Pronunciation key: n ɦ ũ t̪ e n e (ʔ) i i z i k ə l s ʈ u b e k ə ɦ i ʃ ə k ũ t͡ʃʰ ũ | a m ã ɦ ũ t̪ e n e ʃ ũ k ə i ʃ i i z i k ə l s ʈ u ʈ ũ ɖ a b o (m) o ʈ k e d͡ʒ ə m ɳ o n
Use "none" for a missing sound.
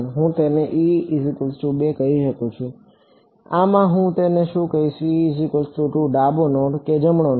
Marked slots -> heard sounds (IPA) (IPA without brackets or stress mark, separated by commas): ʔ, n